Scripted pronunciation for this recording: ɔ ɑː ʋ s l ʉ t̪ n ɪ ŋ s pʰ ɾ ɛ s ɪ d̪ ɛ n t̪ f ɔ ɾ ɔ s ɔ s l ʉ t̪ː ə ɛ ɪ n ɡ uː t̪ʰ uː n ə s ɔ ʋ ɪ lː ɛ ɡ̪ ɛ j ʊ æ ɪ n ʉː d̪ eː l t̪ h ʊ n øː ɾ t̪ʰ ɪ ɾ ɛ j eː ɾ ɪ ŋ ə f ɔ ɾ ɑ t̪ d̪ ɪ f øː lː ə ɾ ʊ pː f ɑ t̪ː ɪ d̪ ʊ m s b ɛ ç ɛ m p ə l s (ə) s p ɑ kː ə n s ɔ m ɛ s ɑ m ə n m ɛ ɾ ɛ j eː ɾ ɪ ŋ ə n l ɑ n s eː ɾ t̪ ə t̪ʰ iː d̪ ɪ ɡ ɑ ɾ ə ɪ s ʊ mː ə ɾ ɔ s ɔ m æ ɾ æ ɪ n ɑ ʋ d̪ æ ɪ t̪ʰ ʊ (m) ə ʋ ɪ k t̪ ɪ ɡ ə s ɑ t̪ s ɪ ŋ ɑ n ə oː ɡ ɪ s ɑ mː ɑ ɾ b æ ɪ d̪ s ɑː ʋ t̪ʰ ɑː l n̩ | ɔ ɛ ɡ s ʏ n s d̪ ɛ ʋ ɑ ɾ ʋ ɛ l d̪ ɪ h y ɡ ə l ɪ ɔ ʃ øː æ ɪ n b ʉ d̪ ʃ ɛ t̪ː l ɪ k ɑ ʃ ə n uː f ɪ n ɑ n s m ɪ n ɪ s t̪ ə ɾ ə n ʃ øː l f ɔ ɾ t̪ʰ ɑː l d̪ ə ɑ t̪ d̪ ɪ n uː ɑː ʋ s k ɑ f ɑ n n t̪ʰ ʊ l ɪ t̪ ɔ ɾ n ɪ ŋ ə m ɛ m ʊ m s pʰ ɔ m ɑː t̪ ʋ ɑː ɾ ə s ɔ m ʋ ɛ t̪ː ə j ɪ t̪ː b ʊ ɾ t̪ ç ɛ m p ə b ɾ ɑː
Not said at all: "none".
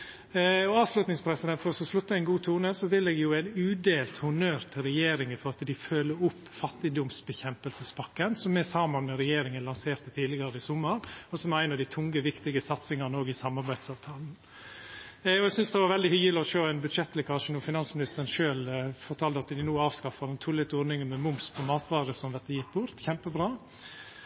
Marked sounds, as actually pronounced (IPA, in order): ə, ŋ

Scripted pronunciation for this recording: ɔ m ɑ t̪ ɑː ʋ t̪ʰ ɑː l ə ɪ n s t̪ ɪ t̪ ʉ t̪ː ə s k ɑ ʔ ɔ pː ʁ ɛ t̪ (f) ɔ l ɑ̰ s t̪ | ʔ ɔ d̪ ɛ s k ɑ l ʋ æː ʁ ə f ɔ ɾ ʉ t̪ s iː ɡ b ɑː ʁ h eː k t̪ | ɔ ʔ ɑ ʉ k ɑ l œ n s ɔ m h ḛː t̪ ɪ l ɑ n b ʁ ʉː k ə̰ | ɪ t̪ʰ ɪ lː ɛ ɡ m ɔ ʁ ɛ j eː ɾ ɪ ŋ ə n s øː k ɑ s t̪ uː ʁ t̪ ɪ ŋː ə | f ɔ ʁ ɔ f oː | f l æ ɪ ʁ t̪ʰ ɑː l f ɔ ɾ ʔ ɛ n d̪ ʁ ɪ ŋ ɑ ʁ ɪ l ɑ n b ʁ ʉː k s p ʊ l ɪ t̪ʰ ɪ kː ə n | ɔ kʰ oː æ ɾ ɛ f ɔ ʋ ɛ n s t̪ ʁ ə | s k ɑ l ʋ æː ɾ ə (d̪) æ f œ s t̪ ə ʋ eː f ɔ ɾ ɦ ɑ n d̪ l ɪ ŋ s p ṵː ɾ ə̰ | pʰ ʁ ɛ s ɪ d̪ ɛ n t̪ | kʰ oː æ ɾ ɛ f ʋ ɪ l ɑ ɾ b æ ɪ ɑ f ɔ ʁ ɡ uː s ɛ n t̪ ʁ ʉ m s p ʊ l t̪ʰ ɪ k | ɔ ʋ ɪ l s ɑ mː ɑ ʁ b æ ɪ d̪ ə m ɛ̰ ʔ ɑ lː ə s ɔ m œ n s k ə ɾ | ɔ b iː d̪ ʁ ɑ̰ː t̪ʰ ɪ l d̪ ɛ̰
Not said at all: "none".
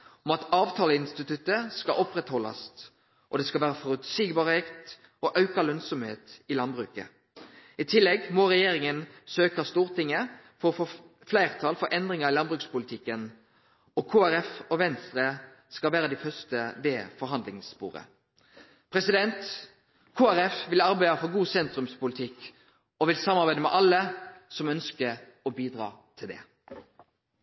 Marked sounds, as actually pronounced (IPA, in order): h, d̪

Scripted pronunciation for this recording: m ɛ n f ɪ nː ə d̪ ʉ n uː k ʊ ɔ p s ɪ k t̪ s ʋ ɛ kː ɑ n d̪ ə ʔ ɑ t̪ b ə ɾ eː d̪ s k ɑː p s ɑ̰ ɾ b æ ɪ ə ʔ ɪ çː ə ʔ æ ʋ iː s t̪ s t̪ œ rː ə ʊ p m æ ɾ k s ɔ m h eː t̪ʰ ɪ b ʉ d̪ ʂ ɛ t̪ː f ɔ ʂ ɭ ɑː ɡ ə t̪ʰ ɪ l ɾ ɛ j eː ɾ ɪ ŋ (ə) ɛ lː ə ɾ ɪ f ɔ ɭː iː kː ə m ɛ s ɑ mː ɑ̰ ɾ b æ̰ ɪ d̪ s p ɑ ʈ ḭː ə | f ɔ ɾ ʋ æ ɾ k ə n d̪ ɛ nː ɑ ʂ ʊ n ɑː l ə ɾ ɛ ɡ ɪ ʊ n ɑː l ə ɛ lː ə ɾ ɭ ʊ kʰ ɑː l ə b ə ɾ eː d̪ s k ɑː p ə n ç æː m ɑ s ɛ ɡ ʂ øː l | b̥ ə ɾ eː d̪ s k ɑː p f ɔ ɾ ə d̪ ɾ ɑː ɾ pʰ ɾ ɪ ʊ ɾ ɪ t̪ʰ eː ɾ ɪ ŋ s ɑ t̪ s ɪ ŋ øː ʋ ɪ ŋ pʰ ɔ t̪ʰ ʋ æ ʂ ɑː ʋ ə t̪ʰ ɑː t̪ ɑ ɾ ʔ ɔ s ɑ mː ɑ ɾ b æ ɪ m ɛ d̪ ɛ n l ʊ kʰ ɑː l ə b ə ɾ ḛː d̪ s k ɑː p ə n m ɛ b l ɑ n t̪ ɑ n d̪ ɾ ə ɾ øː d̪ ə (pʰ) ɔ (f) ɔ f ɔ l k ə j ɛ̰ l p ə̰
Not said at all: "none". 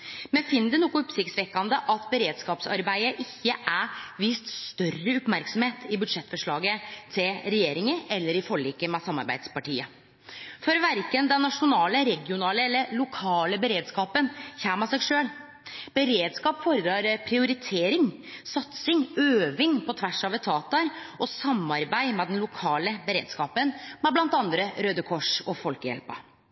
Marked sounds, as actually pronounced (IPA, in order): ə, kʰ, ʂ

